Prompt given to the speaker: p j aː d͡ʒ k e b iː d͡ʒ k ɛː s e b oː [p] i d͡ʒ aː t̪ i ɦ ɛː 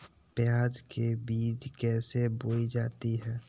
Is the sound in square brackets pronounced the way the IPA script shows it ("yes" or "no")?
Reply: no